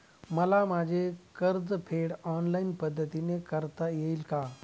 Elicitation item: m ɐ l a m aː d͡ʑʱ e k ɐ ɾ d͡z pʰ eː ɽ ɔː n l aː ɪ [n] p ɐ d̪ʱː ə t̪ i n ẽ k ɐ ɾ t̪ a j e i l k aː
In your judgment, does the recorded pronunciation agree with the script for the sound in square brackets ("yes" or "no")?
yes